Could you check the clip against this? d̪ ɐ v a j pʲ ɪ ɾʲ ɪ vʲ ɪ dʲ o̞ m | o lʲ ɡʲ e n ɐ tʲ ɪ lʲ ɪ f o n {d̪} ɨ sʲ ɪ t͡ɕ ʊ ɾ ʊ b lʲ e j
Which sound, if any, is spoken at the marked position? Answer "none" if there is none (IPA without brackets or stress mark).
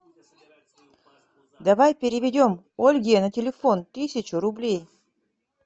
t̪